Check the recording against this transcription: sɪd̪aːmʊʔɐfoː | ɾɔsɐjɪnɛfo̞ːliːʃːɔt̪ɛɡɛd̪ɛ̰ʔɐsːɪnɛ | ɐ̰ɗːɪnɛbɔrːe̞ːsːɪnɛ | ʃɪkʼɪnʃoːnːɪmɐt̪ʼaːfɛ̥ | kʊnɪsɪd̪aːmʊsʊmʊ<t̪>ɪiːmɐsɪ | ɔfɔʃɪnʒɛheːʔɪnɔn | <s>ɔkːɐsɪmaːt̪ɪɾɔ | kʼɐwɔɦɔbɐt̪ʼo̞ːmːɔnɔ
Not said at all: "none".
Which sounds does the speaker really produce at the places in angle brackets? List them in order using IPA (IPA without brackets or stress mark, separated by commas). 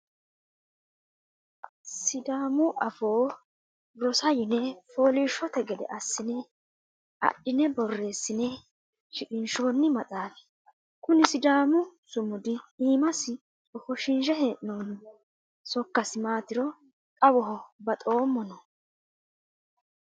d̪, s